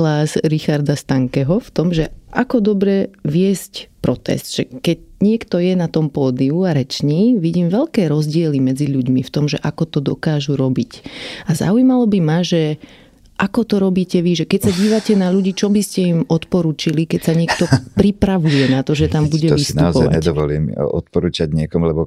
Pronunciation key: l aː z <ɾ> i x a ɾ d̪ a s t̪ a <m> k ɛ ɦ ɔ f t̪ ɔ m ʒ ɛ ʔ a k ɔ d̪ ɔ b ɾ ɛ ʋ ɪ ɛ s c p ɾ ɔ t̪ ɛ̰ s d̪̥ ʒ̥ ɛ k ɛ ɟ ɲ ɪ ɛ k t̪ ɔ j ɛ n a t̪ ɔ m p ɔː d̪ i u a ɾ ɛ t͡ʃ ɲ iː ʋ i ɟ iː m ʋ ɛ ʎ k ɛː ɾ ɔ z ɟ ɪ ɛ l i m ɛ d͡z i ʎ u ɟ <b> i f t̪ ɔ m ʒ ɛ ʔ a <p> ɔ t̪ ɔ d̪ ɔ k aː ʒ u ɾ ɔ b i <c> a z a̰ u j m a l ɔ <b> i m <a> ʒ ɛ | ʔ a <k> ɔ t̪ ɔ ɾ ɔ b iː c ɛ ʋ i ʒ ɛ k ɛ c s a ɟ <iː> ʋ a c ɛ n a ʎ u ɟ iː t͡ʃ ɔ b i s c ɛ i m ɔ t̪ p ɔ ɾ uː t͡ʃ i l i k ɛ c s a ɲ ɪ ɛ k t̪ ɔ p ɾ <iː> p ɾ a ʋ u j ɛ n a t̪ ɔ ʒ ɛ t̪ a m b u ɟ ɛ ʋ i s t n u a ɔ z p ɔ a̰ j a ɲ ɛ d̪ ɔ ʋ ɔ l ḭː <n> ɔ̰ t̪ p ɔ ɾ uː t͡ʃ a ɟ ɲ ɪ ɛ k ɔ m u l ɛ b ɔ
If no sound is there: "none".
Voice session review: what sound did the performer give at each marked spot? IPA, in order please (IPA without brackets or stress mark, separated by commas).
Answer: ɾ, ŋ, m, k, c, b, a, k, iː, i, m